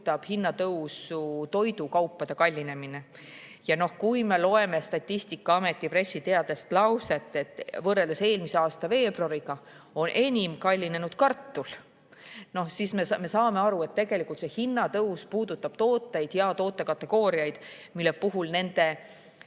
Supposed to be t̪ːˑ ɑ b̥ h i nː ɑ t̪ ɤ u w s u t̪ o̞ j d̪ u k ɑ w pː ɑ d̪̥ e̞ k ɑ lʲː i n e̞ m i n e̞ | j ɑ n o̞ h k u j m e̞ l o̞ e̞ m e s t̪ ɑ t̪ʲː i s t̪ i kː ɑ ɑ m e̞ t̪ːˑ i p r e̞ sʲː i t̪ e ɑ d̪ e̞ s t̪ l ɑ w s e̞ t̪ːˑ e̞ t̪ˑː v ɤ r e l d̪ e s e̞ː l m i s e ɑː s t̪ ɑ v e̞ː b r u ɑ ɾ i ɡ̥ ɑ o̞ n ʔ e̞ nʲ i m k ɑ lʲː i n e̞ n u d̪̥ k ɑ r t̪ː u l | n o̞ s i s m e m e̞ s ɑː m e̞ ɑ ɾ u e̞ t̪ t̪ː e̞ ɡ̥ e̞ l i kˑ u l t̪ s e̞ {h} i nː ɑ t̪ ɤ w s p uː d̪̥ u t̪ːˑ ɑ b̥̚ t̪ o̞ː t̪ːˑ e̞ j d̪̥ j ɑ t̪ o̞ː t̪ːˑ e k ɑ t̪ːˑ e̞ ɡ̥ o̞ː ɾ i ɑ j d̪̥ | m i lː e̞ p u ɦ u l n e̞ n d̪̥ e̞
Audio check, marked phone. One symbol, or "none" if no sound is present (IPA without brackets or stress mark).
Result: h